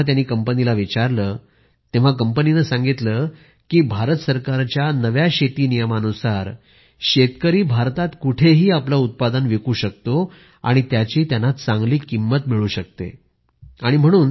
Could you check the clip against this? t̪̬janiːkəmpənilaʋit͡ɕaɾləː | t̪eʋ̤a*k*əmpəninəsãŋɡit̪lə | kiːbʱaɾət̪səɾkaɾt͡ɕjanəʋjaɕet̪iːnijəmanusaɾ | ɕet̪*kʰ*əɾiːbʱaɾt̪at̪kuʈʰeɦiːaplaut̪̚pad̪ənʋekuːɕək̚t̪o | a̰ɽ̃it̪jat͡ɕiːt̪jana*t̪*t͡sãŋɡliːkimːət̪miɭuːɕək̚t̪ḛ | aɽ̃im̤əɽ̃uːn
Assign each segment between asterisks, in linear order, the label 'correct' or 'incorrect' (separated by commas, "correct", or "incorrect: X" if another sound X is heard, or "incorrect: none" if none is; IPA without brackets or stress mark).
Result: correct, incorrect: k, correct